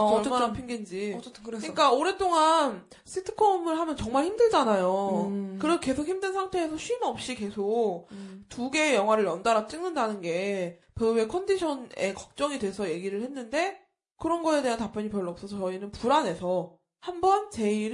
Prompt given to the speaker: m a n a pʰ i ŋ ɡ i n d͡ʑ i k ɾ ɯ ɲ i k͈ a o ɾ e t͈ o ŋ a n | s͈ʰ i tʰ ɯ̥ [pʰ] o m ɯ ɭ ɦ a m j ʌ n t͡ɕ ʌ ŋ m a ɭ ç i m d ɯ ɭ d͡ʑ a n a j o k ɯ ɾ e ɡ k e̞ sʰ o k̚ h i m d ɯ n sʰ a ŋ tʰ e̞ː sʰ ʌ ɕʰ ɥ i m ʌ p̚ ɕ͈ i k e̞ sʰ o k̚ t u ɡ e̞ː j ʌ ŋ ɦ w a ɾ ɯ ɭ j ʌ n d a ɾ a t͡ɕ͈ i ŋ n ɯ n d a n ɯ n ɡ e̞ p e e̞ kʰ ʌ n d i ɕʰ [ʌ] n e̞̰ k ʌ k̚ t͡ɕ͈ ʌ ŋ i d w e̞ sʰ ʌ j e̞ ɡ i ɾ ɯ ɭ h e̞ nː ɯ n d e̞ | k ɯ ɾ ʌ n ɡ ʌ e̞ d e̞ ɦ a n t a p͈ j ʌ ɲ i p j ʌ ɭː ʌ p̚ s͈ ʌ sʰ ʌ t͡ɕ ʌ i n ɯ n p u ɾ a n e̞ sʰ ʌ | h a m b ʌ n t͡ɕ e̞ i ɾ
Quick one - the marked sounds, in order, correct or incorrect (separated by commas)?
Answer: incorrect, correct